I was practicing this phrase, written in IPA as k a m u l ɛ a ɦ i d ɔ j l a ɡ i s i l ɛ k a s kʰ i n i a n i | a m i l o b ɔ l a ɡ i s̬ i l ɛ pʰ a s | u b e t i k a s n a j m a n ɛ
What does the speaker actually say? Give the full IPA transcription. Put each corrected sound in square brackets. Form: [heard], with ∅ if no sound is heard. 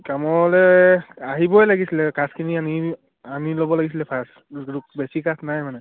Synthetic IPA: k a m [ɔ] l ɛ a ɦ i [b] ɔ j l a ɡ i s i l ɛ k a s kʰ i n i a n i | a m i l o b ɔ l a ɡ i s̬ i l ɛ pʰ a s | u b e [s] i k a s n a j m a n ɛ